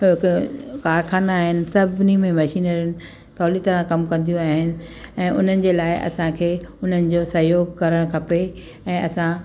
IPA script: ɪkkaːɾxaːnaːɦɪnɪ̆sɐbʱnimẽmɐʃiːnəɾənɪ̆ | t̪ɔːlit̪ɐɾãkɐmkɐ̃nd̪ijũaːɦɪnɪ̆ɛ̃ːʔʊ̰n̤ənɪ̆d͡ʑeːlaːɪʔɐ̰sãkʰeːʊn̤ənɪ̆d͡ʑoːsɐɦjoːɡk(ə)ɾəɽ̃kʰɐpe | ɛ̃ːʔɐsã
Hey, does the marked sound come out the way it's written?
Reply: no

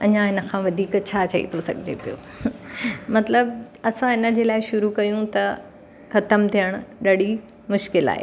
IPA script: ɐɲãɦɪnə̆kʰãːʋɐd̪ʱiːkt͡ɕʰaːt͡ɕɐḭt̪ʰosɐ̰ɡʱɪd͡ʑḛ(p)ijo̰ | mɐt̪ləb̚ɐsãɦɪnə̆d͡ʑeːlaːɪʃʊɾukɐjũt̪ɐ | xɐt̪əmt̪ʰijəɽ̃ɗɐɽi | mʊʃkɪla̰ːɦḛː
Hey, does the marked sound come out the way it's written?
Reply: yes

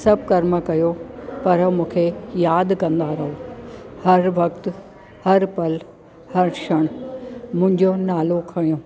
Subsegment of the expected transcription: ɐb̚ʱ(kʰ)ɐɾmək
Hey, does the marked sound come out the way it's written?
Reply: no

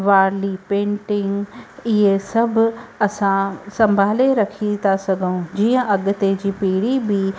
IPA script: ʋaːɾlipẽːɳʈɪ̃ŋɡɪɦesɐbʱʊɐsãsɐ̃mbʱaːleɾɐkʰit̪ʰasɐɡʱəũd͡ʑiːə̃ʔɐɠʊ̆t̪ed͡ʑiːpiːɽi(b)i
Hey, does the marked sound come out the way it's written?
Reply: yes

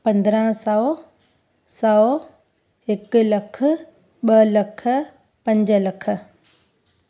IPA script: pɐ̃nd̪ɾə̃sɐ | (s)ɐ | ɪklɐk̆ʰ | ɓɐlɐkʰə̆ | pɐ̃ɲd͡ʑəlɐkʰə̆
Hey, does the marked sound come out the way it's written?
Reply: yes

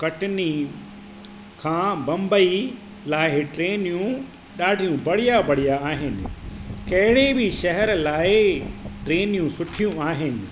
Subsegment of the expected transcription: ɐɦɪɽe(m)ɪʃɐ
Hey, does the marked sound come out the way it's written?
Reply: no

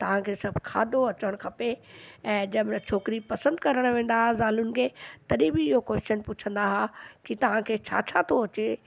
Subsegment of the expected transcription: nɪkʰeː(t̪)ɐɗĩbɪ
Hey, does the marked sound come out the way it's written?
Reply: yes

